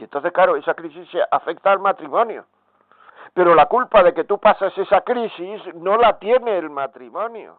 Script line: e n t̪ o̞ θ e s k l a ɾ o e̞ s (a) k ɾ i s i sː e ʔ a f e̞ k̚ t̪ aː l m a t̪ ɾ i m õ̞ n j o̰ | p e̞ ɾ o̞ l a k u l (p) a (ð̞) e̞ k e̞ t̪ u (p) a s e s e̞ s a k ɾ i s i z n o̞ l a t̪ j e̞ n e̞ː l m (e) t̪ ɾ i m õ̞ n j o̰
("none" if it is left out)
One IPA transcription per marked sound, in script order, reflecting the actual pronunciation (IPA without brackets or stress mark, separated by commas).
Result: a, p, ð̞, p, a